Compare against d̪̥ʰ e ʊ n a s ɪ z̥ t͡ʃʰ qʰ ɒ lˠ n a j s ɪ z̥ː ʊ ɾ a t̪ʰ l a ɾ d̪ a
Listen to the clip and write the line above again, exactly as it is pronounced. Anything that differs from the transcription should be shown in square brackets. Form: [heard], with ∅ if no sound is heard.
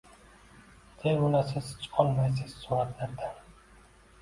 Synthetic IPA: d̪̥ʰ e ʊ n a s ɪ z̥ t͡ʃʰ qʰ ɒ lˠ [m] a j s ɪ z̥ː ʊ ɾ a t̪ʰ l a ɾ d̪ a